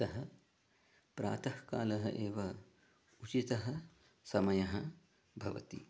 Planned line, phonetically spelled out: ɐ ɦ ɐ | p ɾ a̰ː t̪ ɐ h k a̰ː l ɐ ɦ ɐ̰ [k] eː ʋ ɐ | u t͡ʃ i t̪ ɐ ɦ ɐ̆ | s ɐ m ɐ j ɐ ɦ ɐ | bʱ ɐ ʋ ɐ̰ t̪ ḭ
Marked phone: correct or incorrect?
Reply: incorrect